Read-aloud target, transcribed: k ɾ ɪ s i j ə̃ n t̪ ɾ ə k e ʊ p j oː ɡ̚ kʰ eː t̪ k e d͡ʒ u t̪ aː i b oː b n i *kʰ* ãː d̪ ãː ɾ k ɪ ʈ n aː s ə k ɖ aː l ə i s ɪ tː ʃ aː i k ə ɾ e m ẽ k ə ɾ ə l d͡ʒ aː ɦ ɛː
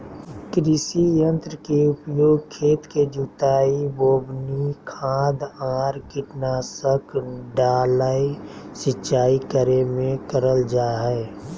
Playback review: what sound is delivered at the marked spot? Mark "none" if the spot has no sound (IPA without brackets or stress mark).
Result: kʰ